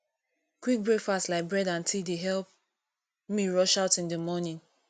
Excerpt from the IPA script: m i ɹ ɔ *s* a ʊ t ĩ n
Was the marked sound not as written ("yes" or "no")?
yes